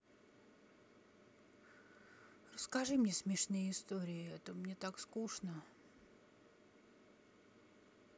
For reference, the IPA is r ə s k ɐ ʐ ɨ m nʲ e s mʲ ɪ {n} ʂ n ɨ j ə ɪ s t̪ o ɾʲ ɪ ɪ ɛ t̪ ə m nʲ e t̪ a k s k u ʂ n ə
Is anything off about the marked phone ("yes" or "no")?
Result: yes